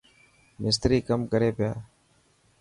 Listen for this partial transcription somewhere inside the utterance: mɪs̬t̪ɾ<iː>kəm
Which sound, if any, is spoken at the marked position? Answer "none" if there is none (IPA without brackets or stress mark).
iː